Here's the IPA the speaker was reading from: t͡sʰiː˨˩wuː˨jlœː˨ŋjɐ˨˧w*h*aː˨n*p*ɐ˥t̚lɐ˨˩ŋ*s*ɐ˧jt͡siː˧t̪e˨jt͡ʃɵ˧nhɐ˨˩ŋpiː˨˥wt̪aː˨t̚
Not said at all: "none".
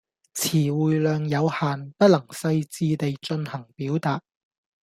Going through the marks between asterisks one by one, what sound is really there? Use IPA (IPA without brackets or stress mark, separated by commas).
h, p, s